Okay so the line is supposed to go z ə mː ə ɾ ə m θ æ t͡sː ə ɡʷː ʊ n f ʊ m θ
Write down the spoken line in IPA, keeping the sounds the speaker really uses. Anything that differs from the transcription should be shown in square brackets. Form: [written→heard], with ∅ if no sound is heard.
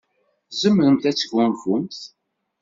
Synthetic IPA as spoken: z ə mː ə ɾ ə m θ æ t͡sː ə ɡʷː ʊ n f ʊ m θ